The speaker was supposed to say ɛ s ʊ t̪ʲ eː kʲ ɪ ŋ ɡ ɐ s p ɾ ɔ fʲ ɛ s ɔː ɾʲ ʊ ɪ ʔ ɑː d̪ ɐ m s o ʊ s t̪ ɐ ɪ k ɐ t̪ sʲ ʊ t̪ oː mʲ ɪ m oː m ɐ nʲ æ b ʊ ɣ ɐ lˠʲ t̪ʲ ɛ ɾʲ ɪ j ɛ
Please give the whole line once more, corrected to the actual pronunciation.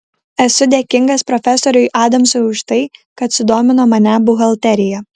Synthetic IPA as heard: ɛ s ʊ d̪ʲ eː kʲ ɪ ŋ ɡ ɐ s p ɾ ɔ fʲ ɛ s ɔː ɾʲ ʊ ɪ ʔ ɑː d̪ ɐ m s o ʊ ʃ t̪ ɐ ɪ k ɐ t̪ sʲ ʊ d̪ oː mʲ ɪ n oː m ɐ nʲ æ b ʊ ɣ ɐ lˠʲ t̪ʲ ɛ ɾʲ ɪ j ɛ

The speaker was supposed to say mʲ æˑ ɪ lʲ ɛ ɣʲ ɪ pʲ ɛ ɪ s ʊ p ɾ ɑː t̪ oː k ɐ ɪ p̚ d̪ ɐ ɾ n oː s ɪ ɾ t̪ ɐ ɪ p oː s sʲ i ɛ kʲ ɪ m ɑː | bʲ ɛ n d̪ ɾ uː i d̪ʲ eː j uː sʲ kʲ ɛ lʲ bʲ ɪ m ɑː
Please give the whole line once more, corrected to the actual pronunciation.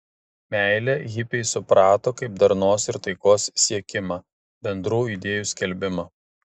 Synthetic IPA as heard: mʲ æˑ ɪ lʲ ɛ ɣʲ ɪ pʲ ɛ ɪ s ʊ p ɾ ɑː t̪ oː k ɐ ɪ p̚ d̪ ɐ ɾ n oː s ɪ ɾ t̪ ɐ ɪ k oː s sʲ i ɛ kʲ ɪ m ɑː | bʲ ɛ n d̪ ɾ uː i d̪ʲ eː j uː sʲ kʲ ɛ lʲ bʲ ɪ m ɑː

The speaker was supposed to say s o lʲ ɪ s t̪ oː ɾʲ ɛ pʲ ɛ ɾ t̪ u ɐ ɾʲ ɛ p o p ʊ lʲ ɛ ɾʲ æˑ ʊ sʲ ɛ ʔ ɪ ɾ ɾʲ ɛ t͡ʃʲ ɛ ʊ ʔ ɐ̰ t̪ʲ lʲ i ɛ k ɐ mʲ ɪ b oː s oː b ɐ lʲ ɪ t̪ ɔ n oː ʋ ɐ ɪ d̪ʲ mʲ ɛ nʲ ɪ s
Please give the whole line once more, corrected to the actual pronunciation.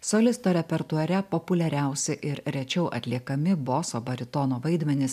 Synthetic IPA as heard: s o lʲ ɪ s t̪ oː ɾʲ ɛ pʲ ɛ ɾ t̪ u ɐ ɾʲ ɛ p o p ʊ lʲ ɛ ɾʲ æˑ ʊ sʲ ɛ ʔ ɪ ɾ ɾʲ ɛ t͡ʃʲ ɛ ʊ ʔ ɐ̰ t̪ʲ lʲ i ɛ k ɐ mʲ ɪ b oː s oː b ɐ ɾʲ ɪ t̪ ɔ n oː ʋ ɐ ɪ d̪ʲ mʲ ɛ nʲ ɪ s

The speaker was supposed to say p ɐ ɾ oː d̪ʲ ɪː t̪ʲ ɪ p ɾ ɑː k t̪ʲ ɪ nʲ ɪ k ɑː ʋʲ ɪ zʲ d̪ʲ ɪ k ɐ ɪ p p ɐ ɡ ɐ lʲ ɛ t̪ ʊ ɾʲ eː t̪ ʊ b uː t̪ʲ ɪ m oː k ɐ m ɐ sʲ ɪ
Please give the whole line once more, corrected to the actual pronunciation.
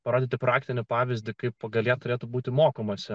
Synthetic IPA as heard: p ɐ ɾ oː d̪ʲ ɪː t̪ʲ ɪ p ɾ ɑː k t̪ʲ ɪ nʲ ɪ p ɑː ʋʲ ɪ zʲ d̪ʲ ɪ k ɐ ɪ p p ɐ ɡ ɐ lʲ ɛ t̪ ʊ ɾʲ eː t̪ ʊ b uː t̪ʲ ɪ m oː k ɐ m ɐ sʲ ɪ

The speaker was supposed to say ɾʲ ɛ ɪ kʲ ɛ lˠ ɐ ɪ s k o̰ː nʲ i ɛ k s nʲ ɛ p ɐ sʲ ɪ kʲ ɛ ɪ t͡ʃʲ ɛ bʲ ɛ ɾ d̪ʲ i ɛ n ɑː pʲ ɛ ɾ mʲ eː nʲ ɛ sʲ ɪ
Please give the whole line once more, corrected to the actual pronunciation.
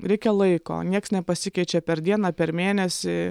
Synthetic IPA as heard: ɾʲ ɛ ɪ kʲ ɛ lˠ ɐ ɪ k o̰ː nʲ i ɛ k s nʲ ɛ p ɐ sʲ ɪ kʲ ɛ ɪ t͡ʃʲ ɛ pʲ ɛ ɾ d̪ʲ i ɛ n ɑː pʲ ɛ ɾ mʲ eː nʲ ɛ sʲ ɪ

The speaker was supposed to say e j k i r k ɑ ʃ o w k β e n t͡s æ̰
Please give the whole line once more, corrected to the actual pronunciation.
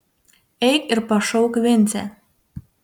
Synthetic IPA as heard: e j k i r p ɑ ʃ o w k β e n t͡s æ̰

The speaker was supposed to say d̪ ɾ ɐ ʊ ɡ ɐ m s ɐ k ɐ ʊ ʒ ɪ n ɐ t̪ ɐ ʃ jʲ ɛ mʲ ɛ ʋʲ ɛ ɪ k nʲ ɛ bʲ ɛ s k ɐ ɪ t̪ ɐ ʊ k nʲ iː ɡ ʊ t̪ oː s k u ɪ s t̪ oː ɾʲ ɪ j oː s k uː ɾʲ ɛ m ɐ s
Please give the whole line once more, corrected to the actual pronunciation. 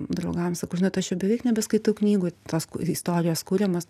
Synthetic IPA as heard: d̪ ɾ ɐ ʊ ɡ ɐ m s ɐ k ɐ ʊ ʒ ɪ n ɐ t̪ ɐ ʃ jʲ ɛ bʲ ɛ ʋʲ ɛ ɪ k nʲ ɛ bʲ ɛ s k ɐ ɪ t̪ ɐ ʊ k nʲ iː ɡ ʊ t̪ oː s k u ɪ s t̪ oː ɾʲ ɪ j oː s k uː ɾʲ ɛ m ɐ s

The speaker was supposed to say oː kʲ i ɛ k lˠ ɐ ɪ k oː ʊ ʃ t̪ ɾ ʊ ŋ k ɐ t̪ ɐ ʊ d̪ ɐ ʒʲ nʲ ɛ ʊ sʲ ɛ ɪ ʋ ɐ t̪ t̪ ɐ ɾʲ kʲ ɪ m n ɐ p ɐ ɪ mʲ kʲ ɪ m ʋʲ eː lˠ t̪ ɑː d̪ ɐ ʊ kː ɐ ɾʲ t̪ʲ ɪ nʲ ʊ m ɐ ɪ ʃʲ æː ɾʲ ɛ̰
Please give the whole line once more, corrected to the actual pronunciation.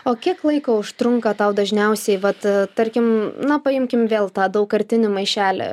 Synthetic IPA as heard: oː kʲ i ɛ k lˠ ɐ ɪ k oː ʊ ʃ t̪ ɾ ʊ ŋ k ɐ t̪ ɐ ʊ d̪ ɐ ʒʲ nʲ ɛ ʊ sʲ ɛ ɪ ʋ ɐ t̪ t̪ ɐ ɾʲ kʲ ɪ m n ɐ p ɐ ɪ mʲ kʲ ɪ m ʋʲ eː lˠ t̪ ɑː d̪ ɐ ʊ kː ɐ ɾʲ t̪ʲ ɪ nʲ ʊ m ɐ ɪ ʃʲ æː lʲ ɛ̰

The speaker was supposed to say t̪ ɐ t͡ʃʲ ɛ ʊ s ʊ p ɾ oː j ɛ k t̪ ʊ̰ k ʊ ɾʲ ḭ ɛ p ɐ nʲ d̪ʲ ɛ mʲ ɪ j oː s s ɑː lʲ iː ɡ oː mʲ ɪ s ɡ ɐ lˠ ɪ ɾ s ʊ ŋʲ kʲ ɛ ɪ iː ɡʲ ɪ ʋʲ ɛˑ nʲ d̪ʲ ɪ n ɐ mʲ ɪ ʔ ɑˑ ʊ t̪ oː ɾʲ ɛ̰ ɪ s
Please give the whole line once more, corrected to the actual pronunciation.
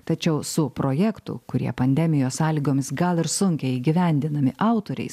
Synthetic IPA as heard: t̪ ɐ t͡ʃʲ ɛ ʊ s ʊ p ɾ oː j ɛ k t̪ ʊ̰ k ʊ ɾʲ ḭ ɛ p ɐ nʲ d̪ʲ ɛ mʲ ɪ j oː s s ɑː lʲ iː ɡ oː mʲ ɪ s ɡ ɐ lˠ ɪ ɾ s ʊ ŋʲ kʲ ɛ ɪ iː ɡʲ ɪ ʋʲ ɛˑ nʲ d̪ʲ ɪ n ɐ mʲ ɪ ʔ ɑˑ ʊ t̪ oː ɾʲ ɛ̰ ɪ s

